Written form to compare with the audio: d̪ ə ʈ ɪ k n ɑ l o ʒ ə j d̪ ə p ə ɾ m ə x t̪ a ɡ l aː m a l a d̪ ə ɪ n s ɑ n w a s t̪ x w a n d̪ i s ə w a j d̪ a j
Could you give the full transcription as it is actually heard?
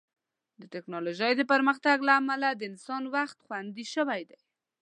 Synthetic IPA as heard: d̪ ə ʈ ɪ k n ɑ l o ʒ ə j d̪ ə p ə ɾ m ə x t̪ a ɡ l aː m a l a d̪ ə ɪ n s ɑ n w a x t̪ x w a n d̪ i ʃ ə w a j d̪ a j

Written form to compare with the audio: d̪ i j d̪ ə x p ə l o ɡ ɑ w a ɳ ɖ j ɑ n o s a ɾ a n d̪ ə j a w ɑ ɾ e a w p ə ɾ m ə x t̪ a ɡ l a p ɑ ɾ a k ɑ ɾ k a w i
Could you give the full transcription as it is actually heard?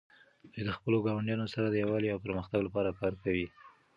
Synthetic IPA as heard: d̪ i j d̪ ə x p ə l o ɡ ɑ w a ɳ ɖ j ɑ n o s a ɾ a d̪ ə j a w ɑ l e a w p ə ɾ m ə x t̪ a ɡ l a p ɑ ɾ a k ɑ ɾ k a w i

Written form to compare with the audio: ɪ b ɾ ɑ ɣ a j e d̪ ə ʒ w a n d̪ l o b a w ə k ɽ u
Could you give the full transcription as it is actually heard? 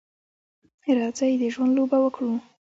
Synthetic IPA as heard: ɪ ɾ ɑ z a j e d̪ ə ʒ w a n d̪ l o b a w ə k ɽ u

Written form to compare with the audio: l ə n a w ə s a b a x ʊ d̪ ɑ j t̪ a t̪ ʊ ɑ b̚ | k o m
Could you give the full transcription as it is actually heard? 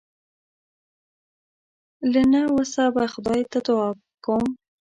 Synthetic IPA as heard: l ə n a w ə s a b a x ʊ d̪ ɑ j t̪ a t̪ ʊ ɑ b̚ | k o m

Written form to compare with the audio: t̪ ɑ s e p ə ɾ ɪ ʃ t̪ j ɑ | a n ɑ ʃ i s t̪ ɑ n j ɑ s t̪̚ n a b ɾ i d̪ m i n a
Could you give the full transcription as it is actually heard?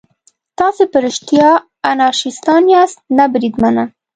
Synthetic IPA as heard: t̪ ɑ s e p ə ɾ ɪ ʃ t̪ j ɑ | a n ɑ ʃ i s t̪ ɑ n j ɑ s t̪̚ n a b ɾ i d̪ m a n a

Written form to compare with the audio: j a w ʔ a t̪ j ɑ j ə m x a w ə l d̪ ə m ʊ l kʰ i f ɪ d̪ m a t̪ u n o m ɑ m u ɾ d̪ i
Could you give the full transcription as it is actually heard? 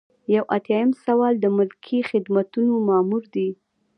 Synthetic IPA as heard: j a w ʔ a t̪ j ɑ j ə m s a w ɑ l d̪ ə m ʊ l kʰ i x ɪ d̪ m a t̪ u n o m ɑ m u ɾ d̪ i

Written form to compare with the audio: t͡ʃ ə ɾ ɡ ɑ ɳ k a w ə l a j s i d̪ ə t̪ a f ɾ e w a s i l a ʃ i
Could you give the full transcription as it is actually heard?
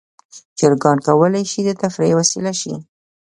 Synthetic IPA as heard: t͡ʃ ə ɾ ɡ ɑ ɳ k a w ə l a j ʃ i d̪ ə t̪ a f ɾ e w a s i l a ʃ i

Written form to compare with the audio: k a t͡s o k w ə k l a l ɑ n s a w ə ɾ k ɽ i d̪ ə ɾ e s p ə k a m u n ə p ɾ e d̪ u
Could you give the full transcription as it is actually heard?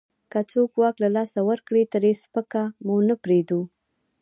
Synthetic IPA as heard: k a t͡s o k w ɑ k l a l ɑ s a w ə ɾ k ɽ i t̪ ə ɾ e s p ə k a m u n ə p ɾ e d̪ u

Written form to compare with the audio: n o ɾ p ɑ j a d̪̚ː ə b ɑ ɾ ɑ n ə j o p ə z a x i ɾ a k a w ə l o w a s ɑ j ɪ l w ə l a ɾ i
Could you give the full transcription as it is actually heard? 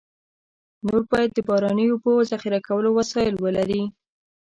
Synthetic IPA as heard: n o ɾ b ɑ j a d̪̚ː ə b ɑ ɾ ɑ n ə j o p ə z a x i ɾ a k a w ə l o w a s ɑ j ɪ l w ə l a ɾ i

